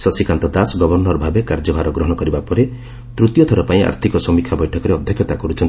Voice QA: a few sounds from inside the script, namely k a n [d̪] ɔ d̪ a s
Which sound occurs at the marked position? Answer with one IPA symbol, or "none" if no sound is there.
t̪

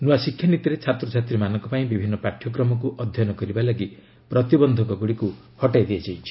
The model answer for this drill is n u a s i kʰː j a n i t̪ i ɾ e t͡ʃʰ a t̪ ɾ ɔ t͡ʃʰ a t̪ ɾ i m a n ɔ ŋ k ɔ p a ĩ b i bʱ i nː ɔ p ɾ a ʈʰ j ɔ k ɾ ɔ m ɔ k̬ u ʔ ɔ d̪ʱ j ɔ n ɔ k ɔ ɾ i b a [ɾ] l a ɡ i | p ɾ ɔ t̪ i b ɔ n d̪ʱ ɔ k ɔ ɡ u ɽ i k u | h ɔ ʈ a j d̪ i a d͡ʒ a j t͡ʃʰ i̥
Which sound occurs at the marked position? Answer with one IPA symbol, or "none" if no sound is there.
none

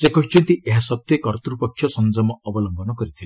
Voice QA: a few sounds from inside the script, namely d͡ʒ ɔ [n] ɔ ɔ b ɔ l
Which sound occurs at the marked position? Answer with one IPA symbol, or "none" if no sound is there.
m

